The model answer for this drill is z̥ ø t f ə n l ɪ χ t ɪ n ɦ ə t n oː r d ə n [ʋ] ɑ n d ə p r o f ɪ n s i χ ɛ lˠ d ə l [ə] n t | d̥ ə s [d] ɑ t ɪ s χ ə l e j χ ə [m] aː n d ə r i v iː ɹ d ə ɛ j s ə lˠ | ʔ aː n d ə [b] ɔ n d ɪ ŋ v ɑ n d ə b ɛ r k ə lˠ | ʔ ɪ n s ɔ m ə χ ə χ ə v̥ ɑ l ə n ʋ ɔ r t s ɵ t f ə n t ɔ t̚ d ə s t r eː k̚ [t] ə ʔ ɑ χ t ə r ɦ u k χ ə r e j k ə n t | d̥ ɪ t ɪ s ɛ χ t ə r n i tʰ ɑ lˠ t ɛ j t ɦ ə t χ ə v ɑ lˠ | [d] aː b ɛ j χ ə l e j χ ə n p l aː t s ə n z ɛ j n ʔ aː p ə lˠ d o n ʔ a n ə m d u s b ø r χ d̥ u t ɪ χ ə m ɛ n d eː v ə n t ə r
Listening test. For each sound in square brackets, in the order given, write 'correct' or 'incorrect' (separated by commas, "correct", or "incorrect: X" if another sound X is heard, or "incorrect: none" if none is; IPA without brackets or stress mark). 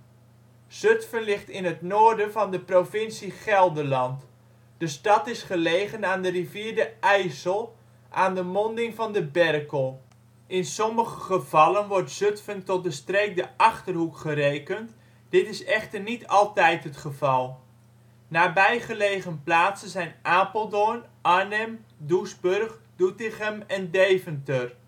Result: incorrect: v, incorrect: ɑ, incorrect: t, incorrect: n, incorrect: m, incorrect: d, incorrect: n